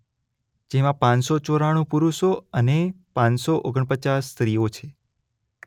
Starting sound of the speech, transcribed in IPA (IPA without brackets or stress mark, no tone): d͡ʒ